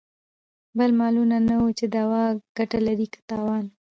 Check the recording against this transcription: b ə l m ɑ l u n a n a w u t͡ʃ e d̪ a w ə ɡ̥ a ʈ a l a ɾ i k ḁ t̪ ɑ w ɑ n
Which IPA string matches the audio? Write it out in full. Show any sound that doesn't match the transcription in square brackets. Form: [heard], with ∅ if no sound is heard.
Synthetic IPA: b ə l m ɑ l u n a n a w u t͡ʃ e d̪ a w [ɑ] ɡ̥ a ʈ a l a ɾ i k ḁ t̪ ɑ w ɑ n